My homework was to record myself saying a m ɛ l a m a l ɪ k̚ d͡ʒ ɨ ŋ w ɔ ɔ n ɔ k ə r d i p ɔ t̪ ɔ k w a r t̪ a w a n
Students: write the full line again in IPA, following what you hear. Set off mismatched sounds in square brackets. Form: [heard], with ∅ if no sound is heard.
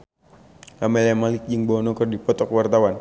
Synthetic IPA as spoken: a m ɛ l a m a l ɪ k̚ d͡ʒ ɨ ŋ [b] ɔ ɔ n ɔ k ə r d i p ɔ t̪ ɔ k w a r t̪ a w a n

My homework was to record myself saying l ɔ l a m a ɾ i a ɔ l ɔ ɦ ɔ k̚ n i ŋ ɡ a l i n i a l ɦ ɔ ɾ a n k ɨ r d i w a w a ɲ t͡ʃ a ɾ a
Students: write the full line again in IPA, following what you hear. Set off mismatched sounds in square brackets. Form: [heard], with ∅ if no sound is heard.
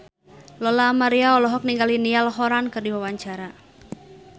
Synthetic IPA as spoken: l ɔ l a m a ɾ i a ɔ l ɔ ɦ ɔ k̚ n i ŋ ɡ a l i n i a l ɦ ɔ ɾ a n k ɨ r d i w a w a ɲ t͡ʃ a ɾ a

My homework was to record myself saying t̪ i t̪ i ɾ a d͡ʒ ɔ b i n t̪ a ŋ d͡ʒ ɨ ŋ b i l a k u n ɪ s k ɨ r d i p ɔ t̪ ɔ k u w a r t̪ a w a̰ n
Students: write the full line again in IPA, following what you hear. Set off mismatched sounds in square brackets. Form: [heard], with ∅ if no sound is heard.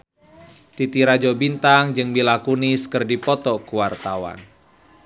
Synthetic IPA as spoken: t̪ i t̪ i ɾ a d͡ʒ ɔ b i n t̪ a ŋ d͡ʒ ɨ ŋ b i l a k u n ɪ s k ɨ r d i p ɔ t̪ ɔ k u w a r t̪ a w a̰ n

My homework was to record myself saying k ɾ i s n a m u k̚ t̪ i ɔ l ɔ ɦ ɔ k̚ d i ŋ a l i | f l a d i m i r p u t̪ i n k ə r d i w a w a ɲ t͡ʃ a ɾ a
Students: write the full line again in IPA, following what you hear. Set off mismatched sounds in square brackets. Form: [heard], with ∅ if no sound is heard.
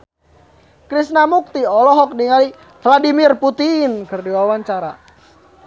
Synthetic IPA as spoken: k ɾ i s n a m u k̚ t̪ i ɔ l ɔ ɦ ɔ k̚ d i ŋ a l i | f l a d i m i r p u t̪ i n k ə r d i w a w a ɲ t͡ʃ a ɾ a

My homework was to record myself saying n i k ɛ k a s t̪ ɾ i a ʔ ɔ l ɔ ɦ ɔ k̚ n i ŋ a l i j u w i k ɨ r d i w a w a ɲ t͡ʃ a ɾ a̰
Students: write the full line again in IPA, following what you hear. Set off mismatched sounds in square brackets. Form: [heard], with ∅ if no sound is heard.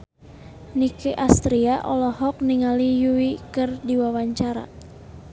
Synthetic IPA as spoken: n i k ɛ [ʔ] a s t̪ ɾ i a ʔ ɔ l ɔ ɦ ɔ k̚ n i ŋ a l i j u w i k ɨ r d i w a w a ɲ t͡ʃ a ɾ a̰

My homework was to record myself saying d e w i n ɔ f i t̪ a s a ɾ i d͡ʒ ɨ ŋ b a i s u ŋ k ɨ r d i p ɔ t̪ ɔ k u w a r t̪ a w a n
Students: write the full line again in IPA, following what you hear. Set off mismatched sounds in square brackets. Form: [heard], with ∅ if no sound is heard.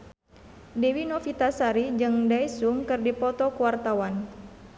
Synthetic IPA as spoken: d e w i n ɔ f i t̪ a s a ɾ i d͡ʒ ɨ ŋ [d] a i s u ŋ k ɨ r d i p ɔ t̪ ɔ k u w a r t̪ a w a n

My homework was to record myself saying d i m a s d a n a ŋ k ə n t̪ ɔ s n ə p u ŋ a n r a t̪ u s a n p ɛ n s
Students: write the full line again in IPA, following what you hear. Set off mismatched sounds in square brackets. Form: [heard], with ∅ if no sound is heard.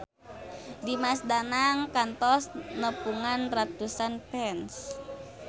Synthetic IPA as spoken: d i m a s d a n a ŋ k [a] n t̪ ɔ s n ə p u ŋ a n r a t̪ u s a n p ɛ n s

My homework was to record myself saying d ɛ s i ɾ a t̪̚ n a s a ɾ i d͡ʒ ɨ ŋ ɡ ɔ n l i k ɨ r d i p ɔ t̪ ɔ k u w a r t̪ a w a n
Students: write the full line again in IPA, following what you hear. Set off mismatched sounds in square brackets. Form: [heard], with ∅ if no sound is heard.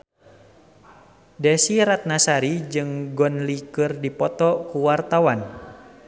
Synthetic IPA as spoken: d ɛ s i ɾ a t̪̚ n a s a ɾ i d͡ʒ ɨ ŋ ɡ ɔ n l i k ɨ r d i p ɔ t̪ ɔ k u w a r t̪ a w a n

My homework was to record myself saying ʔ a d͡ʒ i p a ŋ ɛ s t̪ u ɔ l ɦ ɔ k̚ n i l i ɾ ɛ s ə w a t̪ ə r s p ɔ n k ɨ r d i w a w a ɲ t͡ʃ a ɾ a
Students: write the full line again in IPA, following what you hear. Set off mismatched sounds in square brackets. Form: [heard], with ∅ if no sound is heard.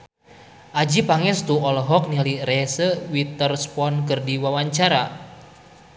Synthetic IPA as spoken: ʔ a d͡ʒ i p a ŋ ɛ s t̪ u ɔ l ɦ ɔ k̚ n i l i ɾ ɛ s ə w [i] t̪ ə r s p ɔ n k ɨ r d i w a w a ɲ t͡ʃ a ɾ a

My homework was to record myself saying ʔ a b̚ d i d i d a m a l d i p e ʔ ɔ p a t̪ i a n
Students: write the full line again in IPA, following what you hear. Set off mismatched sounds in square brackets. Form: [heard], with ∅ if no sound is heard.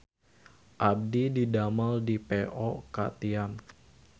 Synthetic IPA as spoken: ʔ a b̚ d i d i d a m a l d i p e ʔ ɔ [k] a t̪ i a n

